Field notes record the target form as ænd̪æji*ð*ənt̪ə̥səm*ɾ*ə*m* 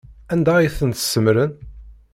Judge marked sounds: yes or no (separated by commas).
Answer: no, yes, no